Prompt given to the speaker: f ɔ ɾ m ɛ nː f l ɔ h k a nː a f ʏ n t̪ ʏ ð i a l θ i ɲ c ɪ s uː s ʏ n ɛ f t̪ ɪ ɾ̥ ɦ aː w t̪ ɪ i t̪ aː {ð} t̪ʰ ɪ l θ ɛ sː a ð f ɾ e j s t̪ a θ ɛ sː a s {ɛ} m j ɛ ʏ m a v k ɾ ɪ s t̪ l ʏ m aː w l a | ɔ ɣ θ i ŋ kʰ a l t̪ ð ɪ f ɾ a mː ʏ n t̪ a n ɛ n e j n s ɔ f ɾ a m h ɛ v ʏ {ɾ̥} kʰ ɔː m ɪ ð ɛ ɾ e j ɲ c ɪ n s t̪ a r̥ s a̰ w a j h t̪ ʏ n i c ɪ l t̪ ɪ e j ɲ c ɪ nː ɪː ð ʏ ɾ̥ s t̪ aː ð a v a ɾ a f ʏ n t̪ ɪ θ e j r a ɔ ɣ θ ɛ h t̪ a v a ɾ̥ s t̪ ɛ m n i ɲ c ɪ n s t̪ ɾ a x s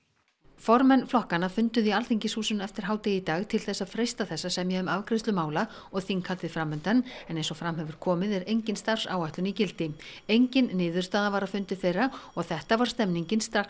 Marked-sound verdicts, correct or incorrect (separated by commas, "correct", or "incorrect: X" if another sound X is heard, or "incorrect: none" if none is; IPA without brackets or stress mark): incorrect: ɣ, correct, correct